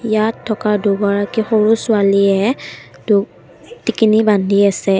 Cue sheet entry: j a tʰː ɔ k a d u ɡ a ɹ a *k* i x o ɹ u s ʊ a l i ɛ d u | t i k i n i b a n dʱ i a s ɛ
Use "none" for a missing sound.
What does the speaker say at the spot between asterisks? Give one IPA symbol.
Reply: k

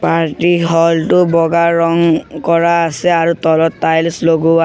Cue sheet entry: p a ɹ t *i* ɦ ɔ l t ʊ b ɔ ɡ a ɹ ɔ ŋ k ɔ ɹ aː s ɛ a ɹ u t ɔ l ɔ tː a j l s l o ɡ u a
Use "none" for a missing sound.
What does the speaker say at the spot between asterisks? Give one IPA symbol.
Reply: i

